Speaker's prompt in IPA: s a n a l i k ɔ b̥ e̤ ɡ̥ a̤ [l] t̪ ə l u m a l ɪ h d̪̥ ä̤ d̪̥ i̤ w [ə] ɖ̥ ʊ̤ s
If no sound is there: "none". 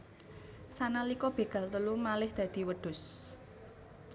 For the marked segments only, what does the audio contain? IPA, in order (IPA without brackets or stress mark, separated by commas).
l, ə